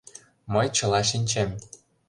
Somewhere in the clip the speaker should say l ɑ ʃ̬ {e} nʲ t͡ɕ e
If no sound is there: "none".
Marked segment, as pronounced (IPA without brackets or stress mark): i